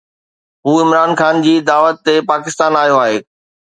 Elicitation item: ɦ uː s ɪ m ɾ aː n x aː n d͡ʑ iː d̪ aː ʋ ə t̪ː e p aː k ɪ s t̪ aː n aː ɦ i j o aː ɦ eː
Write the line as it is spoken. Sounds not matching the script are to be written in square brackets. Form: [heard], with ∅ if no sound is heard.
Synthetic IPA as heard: ɦ uː [∅] ɪ m ɾ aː n x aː n d͡ʑ iː d̪ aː ʋ ə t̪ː e p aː k ɪ s t̪ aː n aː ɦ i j o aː ɦ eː